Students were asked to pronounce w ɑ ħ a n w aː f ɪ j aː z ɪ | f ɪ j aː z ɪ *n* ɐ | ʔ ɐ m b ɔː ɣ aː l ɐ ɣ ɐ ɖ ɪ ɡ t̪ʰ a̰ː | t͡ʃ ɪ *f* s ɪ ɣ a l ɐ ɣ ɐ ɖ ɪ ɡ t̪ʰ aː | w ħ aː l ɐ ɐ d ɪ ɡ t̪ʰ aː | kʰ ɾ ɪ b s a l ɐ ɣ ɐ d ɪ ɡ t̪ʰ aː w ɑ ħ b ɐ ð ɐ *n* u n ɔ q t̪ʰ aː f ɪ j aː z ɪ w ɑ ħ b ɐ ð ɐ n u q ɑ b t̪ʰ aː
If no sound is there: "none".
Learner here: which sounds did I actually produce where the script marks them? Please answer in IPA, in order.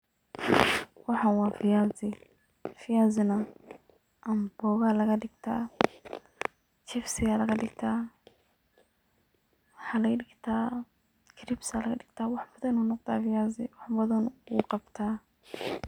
n, f, n

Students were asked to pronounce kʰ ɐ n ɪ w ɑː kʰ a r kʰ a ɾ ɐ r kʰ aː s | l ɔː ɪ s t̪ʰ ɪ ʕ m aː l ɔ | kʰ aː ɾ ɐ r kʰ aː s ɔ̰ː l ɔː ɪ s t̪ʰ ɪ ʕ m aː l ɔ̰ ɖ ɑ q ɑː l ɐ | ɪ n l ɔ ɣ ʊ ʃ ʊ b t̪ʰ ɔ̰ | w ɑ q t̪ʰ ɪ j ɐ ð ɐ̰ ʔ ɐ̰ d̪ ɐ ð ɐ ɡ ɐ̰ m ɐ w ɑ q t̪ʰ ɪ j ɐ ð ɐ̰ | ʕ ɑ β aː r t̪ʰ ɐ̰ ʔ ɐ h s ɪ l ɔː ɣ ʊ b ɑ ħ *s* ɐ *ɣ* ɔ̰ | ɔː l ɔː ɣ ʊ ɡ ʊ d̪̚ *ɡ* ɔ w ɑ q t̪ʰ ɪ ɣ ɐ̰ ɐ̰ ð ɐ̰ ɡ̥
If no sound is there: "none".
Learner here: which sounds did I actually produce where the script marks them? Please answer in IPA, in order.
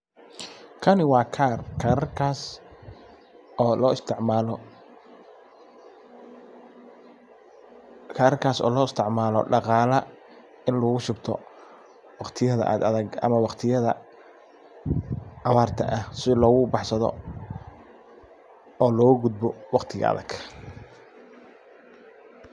s, ð, b

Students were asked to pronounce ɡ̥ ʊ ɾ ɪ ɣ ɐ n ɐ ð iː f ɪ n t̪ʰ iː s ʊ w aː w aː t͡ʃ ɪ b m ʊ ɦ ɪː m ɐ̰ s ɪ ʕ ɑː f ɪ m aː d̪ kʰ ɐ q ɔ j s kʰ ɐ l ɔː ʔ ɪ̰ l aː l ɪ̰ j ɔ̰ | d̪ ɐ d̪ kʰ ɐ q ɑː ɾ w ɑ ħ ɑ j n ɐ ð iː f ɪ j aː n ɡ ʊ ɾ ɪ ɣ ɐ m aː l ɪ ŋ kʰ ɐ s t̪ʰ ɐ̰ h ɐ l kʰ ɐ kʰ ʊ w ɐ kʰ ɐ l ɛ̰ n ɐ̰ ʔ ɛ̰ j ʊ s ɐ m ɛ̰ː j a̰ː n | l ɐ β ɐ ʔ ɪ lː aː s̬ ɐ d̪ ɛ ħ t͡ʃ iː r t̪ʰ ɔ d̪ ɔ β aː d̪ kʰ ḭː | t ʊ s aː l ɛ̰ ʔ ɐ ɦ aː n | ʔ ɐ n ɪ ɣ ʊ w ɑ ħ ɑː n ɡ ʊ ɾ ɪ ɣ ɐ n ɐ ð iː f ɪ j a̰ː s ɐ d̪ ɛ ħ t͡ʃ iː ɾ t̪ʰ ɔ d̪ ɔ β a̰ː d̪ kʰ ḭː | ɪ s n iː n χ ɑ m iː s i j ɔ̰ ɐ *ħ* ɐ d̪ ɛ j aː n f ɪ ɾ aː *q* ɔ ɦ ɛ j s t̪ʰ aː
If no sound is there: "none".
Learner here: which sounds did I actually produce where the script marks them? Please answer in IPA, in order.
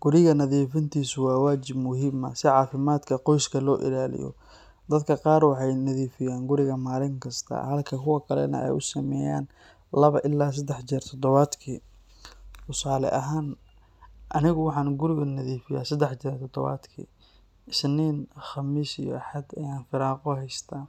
ħ, q

